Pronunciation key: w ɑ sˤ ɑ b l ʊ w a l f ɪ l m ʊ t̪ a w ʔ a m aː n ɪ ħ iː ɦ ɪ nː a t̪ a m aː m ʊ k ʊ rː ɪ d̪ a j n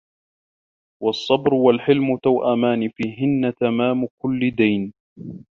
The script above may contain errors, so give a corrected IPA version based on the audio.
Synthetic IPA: w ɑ sˤː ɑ b ɾ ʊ w a l ħ ɪ l m ʊ t̪ a w ʔ a m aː n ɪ f iː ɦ ɪ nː a t̪ a m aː m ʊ k ʊ lː ɪ d̪ a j n